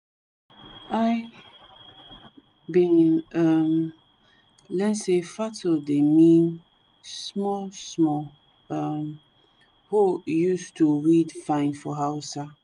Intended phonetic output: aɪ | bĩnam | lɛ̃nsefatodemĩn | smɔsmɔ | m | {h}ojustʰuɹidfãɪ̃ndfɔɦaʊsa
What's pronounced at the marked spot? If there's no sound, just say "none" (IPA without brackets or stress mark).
h